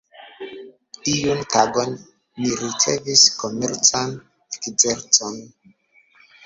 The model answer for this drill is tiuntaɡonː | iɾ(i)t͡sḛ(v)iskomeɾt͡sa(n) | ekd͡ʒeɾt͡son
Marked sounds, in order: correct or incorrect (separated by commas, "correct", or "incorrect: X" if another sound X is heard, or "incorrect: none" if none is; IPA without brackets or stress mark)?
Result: correct, correct, correct